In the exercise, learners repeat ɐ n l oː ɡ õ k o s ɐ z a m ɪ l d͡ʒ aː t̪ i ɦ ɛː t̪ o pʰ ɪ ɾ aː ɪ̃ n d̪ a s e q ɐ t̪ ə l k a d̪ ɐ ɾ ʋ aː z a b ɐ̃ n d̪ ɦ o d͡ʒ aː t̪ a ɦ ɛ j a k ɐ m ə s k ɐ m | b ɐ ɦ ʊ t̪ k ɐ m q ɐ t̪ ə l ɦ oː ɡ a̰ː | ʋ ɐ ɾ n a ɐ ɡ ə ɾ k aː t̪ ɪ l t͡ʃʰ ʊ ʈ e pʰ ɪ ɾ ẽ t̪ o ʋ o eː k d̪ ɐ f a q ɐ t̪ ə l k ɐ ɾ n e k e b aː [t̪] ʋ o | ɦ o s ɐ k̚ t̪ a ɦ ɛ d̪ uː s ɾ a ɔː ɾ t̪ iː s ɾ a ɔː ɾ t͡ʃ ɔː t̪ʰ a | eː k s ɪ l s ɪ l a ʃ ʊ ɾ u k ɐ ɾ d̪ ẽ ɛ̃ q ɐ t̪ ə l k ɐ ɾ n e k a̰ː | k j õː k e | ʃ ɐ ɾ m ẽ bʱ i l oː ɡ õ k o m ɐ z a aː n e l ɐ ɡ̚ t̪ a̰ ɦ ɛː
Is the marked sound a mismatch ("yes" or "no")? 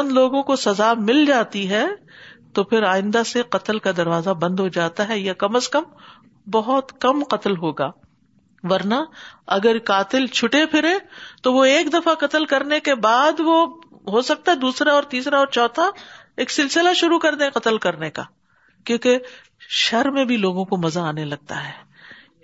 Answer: yes